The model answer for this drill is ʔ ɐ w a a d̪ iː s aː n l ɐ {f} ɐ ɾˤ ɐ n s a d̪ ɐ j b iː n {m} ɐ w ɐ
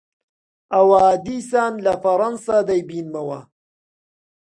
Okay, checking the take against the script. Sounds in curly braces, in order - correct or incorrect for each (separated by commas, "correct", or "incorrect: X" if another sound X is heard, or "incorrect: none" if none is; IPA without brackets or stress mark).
correct, correct